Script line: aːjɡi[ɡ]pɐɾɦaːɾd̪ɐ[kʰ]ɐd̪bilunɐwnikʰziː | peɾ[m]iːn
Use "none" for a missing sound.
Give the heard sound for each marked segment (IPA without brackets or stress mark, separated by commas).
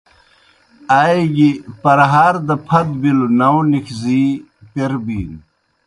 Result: none, pʰ, b